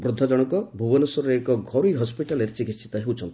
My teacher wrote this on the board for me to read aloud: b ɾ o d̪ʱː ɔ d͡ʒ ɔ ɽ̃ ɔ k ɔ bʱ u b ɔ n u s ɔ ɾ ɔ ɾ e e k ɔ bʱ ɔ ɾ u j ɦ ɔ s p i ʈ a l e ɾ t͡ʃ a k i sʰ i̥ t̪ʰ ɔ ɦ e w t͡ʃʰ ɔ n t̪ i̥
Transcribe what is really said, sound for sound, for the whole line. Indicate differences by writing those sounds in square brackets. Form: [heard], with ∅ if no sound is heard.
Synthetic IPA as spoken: b ɾ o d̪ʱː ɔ d͡ʒ ɔ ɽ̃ ɔ k ɔ bʱ u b ɔ n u s ɔ ɾ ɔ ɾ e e k ɔ [ɡʱ] ɔ ɾ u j ɦ ɔ s p i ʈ a l e ɾ t͡ʃ [i] k i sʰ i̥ [t̪] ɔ ɦ e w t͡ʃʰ ɔ n t̪ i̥